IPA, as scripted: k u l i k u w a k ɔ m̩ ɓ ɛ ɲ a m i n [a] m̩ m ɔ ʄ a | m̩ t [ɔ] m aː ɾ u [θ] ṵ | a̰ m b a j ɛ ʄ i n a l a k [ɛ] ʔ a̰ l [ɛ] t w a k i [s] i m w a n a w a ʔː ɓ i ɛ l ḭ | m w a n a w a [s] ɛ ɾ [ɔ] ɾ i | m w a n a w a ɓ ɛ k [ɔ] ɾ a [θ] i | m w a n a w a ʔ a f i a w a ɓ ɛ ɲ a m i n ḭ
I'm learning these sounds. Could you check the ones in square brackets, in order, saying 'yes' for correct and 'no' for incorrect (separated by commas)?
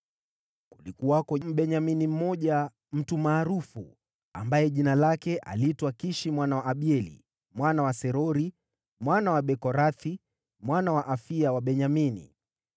no, no, no, yes, no, no, yes, yes, yes, yes